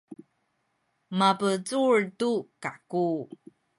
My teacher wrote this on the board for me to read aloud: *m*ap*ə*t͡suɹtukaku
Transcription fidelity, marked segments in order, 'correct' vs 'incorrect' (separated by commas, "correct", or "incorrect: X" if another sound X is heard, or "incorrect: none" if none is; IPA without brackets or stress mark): correct, correct